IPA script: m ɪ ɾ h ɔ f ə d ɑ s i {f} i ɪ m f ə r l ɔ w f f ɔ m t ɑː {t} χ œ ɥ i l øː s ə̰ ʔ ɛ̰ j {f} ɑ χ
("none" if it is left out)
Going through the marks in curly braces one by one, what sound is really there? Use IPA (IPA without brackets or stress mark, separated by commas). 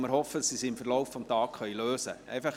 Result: s, k, f